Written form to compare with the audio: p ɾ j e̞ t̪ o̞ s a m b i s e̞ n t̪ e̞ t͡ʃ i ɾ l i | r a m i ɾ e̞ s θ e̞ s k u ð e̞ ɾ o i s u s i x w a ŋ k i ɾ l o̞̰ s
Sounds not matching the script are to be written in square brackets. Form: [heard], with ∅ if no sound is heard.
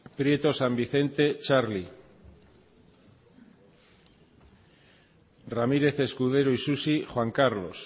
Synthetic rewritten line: p ɾ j e̞ t̪ o̞ s a m b i [θ] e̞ n t̪ e̞ t͡ʃ [a] ɾ l i | r a m i ɾ e̞ [∅] θ e̞ s k u ð e̞ ɾ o i s u s i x w a ŋ k [a] ɾ l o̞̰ s